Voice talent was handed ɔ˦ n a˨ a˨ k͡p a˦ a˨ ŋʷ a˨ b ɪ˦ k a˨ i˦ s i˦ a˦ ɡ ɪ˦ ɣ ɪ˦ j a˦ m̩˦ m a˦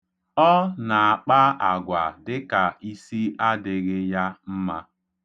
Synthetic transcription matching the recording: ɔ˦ n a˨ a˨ k͡p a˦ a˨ ɡʷ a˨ d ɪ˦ k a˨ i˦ s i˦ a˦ d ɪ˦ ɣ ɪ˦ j a˦ m̩˦ m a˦